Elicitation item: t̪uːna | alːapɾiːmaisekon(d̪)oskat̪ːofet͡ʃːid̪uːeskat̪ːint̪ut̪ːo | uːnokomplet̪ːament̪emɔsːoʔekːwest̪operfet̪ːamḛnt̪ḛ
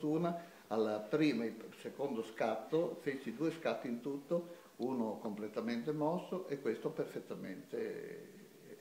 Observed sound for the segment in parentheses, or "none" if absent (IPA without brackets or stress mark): d̪